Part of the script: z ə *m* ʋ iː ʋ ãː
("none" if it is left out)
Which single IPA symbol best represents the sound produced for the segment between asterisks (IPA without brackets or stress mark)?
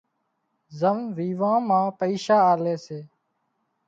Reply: m